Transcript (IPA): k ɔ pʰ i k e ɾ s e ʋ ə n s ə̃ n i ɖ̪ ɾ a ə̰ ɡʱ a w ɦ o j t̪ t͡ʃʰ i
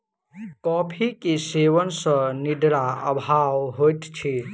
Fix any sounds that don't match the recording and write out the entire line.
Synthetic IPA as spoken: k ɔ pʰ i k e s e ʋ ə n s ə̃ n i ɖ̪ ɾ a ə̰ bʱ a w ɦ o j t̪ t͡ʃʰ i

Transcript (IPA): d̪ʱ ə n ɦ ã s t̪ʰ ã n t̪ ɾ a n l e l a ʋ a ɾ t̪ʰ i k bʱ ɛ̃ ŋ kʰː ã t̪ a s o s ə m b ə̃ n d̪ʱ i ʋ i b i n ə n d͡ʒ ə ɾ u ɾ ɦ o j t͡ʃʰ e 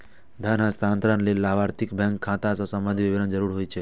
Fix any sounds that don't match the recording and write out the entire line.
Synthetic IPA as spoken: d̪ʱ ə n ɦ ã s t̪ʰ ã n t̪ ɾ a n l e l a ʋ a ɾ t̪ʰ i k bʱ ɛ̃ ŋ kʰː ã t̪ a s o s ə m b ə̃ n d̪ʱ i ʋ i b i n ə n d͡ʒ ə ɾ u ɾ ɦ o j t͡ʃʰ e

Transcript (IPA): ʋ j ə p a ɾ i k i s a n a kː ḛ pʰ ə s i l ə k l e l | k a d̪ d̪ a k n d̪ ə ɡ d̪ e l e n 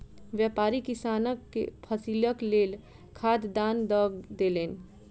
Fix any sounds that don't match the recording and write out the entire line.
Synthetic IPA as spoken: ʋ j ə p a ɾ i k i s a n ə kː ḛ pʰ ə s i l ə k l e l | kʰ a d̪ d̪ a n d̪ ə ɡ d̪ e l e n

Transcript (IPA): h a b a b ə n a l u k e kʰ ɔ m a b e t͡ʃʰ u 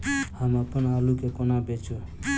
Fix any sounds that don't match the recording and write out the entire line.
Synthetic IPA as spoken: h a m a p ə n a l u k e k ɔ n a b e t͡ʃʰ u

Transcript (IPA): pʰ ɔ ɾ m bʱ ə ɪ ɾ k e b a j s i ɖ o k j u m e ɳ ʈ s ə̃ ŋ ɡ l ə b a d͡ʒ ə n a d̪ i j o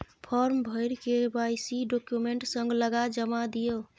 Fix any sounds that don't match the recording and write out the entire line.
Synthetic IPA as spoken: pʰ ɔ ɾ m bʱ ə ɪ ɾ k e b a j s i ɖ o k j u m e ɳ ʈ s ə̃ ŋ ɡ l ə ɡ a d͡ʒ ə m a d̪ i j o

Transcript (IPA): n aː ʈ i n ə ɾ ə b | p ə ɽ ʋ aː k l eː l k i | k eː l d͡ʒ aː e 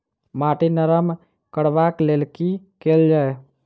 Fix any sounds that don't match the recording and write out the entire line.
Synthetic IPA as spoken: m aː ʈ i n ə ɾ ə m | k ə ɽ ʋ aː k l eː l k i | k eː l d͡ʒ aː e

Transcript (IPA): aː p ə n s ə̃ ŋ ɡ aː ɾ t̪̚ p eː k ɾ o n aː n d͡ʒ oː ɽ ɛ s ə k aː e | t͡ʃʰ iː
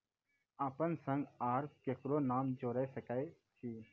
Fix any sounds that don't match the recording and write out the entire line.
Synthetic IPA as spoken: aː p ə n s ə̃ ŋ ɡ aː ɾ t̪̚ k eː k ɾ o n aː m d͡ʒ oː ɾ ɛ s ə k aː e | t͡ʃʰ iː

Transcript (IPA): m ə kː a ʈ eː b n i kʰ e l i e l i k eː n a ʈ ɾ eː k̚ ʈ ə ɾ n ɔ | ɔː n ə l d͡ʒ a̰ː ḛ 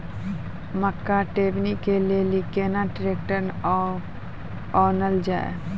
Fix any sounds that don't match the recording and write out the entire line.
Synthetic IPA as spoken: m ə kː a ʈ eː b n i k e l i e l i k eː n a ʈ ɾ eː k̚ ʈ ə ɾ n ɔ | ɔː n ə l d͡ʒ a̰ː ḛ

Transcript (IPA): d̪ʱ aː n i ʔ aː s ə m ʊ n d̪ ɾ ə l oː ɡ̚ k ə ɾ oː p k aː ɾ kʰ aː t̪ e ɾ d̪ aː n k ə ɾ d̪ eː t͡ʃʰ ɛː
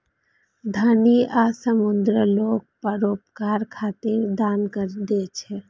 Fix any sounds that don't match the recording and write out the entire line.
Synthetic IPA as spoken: d̪ʱ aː n i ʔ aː s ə m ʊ n d̪ ɾ ə l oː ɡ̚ p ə ɾ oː p k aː ɾ kʰ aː t̪ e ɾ d̪ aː n k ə ɾ d̪ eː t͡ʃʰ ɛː

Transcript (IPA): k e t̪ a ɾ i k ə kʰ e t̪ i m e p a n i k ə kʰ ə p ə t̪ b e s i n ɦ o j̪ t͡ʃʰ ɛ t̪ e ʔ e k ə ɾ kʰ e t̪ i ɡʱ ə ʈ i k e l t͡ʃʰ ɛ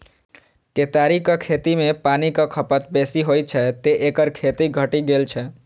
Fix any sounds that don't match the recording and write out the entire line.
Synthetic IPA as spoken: k e t̪ a ɾ i k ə kʰ e t̪ i m e p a n i k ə kʰ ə p ə t̪ b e s i ɦ o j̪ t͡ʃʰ ɛ t̪ e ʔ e k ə ɾ kʰ e t̪ i ɡʱ ə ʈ i ɡ e l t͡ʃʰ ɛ

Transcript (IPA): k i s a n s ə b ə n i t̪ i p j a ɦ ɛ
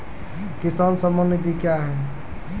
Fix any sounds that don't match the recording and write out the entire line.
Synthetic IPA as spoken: k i s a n s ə m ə n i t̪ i k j a ɦ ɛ

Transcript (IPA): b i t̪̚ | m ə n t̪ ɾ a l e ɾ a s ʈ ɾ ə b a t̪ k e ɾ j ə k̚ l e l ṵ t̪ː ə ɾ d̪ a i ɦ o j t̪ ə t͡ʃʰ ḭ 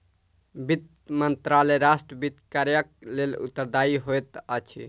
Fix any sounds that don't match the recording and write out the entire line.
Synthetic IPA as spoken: b i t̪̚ | m ə n t̪ ɾ a l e ɾ a s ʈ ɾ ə b i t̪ k a ɾ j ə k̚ l e l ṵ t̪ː ə ɾ d̪ a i ɦ o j t̪ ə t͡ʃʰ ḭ

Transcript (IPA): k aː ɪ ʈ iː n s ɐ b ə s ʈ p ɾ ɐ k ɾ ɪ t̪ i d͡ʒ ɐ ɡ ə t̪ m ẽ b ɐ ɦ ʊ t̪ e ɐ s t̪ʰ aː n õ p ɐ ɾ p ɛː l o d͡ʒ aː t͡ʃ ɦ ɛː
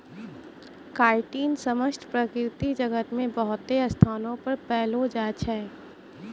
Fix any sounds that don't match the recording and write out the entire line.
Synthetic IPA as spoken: k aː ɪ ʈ iː n s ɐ m ə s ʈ p ɾ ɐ k ɾ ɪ t̪ i d͡ʒ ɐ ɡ ə t̪ m ẽ b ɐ ɦ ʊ t̪ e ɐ s t̪ʰ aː n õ p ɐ ɾ p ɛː l o d͡ʒ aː t͡ʃ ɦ ɛː

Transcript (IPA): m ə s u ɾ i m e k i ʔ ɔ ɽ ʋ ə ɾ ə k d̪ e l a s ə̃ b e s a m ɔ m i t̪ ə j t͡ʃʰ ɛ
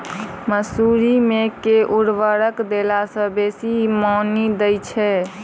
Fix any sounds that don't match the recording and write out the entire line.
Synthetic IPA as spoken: m ə s u ɾ i m e k e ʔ u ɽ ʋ ə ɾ ə k d̪ e l a s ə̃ b e s i m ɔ n i d̪ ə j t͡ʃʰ ɛ

